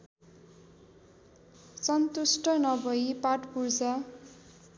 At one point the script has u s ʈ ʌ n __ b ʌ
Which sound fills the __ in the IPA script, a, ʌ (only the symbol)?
ʌ